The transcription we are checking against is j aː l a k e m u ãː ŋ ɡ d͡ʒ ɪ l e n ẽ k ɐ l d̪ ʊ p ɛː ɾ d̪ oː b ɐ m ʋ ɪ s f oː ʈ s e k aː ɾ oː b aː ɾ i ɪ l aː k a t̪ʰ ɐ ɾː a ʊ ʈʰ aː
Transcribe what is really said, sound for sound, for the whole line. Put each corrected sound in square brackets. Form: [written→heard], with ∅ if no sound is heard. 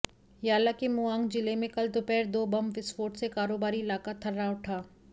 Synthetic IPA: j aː l a k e m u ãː ŋ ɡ d͡ʒ ɪ l e [n→m] ẽ k ɐ l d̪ ʊ p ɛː ɾ d̪ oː b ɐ m ʋ ɪ s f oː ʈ s e k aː ɾ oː b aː ɾ i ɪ l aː k a t̪ʰ ɐ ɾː a ʊ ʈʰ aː